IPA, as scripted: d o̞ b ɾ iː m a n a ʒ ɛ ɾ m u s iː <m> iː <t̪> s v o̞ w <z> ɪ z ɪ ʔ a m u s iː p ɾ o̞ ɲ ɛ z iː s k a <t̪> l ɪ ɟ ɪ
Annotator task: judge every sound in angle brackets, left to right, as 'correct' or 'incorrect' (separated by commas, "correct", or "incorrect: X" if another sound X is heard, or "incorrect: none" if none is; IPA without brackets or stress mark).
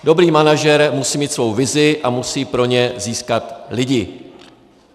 correct, correct, incorrect: v, correct